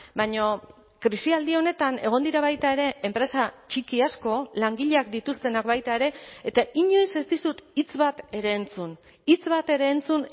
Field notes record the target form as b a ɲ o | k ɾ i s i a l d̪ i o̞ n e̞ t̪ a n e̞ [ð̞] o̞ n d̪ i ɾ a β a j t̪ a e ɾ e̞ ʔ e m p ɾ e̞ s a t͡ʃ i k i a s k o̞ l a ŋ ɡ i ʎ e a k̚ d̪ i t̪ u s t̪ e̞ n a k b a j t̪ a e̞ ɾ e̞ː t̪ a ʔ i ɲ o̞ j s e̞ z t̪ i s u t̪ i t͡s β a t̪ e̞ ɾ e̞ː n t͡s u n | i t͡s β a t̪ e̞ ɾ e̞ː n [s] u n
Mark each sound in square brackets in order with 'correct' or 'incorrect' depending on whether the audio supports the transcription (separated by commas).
incorrect, incorrect